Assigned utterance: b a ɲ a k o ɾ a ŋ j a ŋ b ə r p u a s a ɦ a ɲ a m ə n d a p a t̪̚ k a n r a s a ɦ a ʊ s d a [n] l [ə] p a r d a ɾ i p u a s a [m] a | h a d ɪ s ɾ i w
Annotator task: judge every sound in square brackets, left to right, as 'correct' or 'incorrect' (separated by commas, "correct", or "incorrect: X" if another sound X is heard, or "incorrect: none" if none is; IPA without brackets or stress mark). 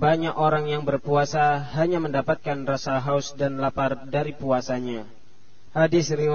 correct, incorrect: a, incorrect: ɲ